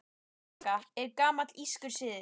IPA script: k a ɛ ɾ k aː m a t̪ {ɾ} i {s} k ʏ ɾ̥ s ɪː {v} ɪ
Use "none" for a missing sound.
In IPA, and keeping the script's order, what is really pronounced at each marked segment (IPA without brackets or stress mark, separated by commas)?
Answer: l, s, ð